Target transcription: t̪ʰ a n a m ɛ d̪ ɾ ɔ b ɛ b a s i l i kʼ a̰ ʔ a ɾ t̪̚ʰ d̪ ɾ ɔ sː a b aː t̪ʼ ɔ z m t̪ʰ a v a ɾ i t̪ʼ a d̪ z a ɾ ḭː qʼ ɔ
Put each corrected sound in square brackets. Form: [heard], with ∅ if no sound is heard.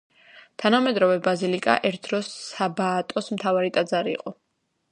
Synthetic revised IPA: t̪ʰ a n a m ɛ d̪ ɾ ɔ [v] ɛ b a [z] i l i kʼ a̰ ʔ [ɛ] ɾ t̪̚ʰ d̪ ɾ ɔ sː a b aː t̪ʼ ɔ [s] m t̪ʰ a v a ɾ i t̪ʼ a d̪ z a ɾ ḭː qʼ ɔ